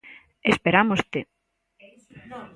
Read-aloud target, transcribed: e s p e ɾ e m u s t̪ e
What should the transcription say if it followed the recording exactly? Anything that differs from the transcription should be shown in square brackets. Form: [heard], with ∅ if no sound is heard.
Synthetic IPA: e s p e ɾ [a] m [o] s t̪ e